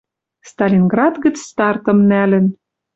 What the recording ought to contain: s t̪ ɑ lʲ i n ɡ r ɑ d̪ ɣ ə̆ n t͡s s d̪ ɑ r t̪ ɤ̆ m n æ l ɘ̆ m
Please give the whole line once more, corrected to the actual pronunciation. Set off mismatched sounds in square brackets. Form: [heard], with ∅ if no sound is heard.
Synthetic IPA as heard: s t̪ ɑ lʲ i n ɡ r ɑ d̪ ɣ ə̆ [∅] t͡s s [t̪] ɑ r t̪ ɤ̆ m n æ l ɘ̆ [n]